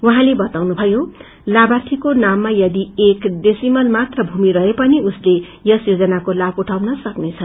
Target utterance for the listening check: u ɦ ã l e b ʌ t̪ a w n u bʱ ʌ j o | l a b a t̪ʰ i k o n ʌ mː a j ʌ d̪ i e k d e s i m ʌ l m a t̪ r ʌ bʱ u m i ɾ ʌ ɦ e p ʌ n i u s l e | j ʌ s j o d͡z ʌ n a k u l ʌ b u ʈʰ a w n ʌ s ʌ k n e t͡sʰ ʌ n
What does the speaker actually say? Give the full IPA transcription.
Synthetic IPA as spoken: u ɦ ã l e b ʌ t̪ a w n u bʱ ʌ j o | l a b a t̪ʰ i k o n a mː a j ʌ d̪ i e k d e s i m ʌ l m a t̪ r ʌ bʱ u m i ɾ ʌ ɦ e p ʌ n i u s l e | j ʌ s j o d͡z ʌ n a k o l a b u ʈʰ a w n ʌ s ʌ k n e t͡sʰ ʌ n